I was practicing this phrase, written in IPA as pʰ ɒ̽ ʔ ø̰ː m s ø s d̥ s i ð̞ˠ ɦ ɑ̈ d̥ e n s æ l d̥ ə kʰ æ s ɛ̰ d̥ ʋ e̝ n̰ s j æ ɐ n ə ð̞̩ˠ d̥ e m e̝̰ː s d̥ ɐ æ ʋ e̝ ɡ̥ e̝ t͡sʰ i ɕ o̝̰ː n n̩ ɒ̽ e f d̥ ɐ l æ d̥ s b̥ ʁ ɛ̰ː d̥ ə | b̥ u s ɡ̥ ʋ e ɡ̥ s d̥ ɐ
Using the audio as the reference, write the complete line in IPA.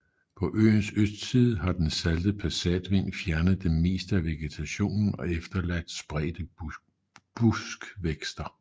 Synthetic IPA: pʰ ɒ̽ ʔ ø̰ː n s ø s d̥ s i ð̞ˠ ɦ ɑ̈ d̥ e n s æ l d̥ ə pʰ æ s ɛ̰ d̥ ʋ e̝ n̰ f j æ ɐ n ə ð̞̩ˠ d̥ e m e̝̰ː s d̥ ə æ ʋ e̝ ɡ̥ e̝ t͡sʰ æ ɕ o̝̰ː n n̩ ɒ̽ e f d̥ ɐ l æ d̥ s b̥ ʁ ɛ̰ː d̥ ə | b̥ u s ɡ̥ ʋ e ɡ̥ s d̥ ɐ

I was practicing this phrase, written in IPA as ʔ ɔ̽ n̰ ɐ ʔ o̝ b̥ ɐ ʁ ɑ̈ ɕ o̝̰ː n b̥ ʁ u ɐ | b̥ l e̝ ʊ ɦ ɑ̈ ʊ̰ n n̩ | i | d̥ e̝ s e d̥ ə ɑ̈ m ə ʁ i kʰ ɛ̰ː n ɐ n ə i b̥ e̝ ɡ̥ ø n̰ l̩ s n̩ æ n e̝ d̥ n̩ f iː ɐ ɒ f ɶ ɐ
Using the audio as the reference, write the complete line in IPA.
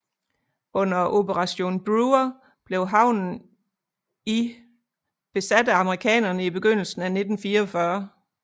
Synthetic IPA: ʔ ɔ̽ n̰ ɐ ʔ o̝ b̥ ə ʁ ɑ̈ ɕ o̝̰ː n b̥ ʁ u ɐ | b̥ l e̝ ʊ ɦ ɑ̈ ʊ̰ n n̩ | i | b̥ e̝ s æ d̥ ə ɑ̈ m ə ʁ i kʰ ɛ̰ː n ɐ n ə i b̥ e̝ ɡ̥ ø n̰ l̩ s n̩ æ n e̝ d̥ n̩ f iː ɐ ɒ f ɶ ɐ

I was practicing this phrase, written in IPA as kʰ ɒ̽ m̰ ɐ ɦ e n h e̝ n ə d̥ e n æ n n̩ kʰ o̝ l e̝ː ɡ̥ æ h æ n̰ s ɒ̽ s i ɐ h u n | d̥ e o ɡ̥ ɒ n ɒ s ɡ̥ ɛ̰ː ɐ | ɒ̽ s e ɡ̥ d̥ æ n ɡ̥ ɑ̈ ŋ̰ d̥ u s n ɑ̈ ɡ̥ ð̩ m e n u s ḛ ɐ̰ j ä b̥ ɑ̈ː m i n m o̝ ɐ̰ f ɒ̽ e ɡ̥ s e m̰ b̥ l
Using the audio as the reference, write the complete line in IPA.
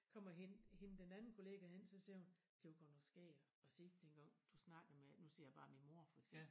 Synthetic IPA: kʰ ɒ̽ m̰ ɐ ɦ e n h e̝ n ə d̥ e n æ n n̩ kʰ o̝ l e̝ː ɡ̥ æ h e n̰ s ɒ̽ s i ɐ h u n | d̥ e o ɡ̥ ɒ n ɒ s ɡ̥ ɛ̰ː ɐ | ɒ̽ s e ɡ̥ d̥ e n ɡ̥ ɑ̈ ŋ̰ d̥ u s n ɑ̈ ɡ̥ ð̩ m e n u s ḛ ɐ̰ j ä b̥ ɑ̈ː m i n m o̝ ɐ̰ f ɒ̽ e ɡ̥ s e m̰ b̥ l

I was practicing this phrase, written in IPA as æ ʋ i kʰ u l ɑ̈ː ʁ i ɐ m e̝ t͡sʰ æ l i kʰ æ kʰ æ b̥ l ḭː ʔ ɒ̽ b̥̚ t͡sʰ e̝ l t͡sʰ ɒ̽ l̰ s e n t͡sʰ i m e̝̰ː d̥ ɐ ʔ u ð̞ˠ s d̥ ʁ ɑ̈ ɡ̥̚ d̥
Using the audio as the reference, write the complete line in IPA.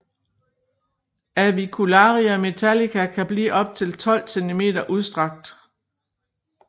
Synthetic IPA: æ ʋ i kʰ u l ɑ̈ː ʁ i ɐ m e̝ t͡sʰ æ l i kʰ æ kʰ æ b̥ l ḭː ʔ ɒ̽ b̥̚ t͡sʰ e̝ l t͡sʰ ɒ̽ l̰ s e n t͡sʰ i m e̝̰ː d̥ ɐ ʔ u ð̞ˠ s d̥ ʁ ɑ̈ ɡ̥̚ d̥

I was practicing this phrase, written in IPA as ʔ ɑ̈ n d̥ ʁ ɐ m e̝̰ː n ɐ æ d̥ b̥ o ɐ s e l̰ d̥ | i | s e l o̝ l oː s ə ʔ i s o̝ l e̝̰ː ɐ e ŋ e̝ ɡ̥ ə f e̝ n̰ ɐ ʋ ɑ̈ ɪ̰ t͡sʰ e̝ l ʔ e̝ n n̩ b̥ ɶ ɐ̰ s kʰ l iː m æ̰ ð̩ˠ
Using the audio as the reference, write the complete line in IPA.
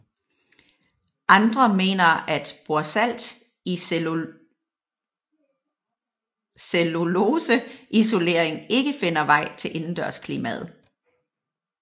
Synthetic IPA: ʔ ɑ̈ n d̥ ʁ ɐ m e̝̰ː n ɐ æ d̥ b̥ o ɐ s æ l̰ d̥ | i | s e l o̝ l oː s ə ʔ i s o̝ l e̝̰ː ɐ e ŋ e̝ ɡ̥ ə f e̝ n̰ ɐ ʋ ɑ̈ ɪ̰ t͡sʰ e̝ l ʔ e̝ n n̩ d̥ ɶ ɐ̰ s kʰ l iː m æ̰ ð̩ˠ

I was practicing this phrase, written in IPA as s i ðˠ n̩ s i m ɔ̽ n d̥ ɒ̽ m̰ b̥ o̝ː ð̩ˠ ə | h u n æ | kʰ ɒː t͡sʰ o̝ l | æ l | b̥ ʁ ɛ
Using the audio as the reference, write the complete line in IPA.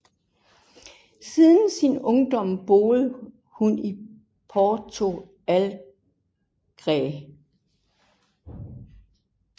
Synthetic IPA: s i ðˠ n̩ s i n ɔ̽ ŋ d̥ ɒ̽ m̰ b̥ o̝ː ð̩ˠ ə | h u n i | pʰ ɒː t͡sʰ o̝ | æ l | ɡ̥ ʁ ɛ

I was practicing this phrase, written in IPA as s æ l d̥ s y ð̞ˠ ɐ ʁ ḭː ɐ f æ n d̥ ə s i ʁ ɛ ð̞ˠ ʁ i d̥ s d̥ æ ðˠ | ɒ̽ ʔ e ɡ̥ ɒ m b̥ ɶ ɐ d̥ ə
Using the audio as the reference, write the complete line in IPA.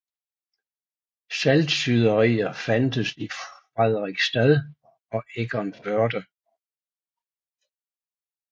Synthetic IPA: s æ l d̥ s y ð̞ˠ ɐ ʁ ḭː ɐ f æ n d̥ ə s i ʁ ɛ ð̞ˠ ʁ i ɡ̥ s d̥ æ ðˠ | ɒ̽ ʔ e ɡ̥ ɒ n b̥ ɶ ɐ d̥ ə

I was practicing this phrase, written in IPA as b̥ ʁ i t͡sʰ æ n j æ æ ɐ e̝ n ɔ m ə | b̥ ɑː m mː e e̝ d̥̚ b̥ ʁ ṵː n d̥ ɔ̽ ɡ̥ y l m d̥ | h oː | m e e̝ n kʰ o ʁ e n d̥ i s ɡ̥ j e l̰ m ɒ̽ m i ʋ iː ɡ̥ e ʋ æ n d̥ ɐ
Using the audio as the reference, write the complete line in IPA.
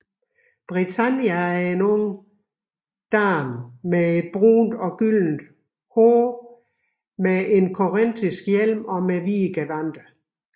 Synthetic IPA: b̥ ʁ i t͡sʰ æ n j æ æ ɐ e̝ n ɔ ŋ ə | d̥ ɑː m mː e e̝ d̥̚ b̥ ʁ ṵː n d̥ ɒ̽ ɡ̥ y l n d̥ | h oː | m e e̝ n kʰ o ʁ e n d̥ i s ɡ̥ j e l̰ m ɒ̽ m e ʋ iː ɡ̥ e ʋ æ n d̥ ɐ

